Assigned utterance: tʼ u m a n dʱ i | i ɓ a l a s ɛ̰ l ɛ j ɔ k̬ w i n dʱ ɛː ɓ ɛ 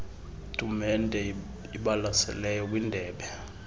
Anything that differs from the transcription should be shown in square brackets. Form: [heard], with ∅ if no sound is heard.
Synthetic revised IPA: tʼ u m [ɛ] n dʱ [ɛ] | i ɓ a l a s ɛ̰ l ɛ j ɔ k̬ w i n dʱ ɛː ɓ ɛ